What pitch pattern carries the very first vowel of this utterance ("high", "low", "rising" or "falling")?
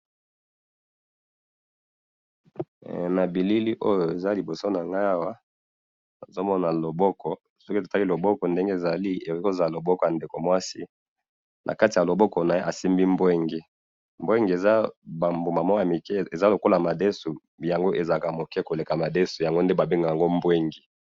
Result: low